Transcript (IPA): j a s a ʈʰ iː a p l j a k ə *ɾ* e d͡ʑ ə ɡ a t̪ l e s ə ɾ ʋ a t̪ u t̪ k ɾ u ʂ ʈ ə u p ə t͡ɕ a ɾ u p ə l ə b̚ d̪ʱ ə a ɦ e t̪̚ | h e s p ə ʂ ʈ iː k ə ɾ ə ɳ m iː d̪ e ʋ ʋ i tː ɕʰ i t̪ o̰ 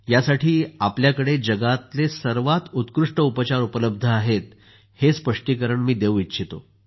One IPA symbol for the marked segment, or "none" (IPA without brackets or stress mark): ɽ